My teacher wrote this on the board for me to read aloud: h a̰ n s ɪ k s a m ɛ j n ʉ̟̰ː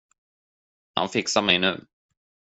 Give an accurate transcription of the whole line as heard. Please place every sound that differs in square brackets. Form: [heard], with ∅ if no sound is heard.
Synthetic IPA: h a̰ n [f] ɪ k s a m ɛ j n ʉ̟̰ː